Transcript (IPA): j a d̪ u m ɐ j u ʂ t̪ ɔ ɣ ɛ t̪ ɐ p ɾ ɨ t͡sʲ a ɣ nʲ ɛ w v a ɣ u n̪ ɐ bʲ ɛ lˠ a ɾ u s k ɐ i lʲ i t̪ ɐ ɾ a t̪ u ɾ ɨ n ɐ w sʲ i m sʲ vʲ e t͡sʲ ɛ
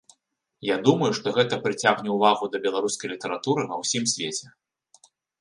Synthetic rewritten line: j a d̪ u m ɐ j u ʂ t̪ ɔ ɣ ɛ t̪ ɐ p ɾ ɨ t͡sʲ a ɣ nʲ ɛ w v a ɣ u d̪ ɐ bʲ ɛ lˠ a ɾ u s k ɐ j lʲ i t̪ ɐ ɾ a t̪ u ɾ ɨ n ɐ w sʲ i m sʲ vʲ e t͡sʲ ɛ